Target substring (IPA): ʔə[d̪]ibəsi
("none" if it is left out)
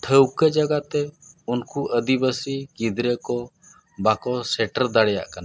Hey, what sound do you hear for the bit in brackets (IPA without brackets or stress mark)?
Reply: d̪